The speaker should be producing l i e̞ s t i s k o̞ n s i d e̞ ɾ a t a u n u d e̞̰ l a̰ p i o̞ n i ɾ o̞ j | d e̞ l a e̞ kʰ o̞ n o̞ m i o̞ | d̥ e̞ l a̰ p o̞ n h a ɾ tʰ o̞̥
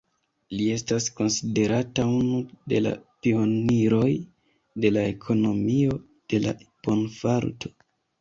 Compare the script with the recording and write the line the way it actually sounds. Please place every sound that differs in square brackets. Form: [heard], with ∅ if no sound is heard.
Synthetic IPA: l i e̞ s t [a] s k o̞ n s i d e̞ ɾ a t a u n u d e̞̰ l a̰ p i o̞ n i ɾ o̞ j | d e̞ l a e̞ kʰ o̞ n o̞ m i o̞ | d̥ e̞ l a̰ p o̞ n [f] a ɾ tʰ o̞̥